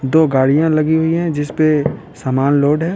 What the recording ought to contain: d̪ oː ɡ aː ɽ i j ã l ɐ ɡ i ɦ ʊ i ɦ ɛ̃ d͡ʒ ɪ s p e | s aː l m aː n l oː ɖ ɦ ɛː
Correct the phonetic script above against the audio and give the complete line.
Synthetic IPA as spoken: d̪ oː ɡ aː ɽ i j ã l ɐ ɡ i ɦ ʊ i ɦ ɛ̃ d͡ʒ ɪ s p e | s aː m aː n l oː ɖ ɦ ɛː